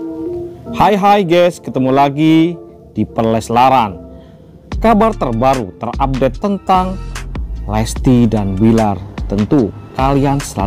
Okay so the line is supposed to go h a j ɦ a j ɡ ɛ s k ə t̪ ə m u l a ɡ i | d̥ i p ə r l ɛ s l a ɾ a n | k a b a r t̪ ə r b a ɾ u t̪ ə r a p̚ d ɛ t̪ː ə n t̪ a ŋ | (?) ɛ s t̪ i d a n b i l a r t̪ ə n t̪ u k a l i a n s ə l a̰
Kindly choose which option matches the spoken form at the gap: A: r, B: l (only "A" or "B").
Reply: B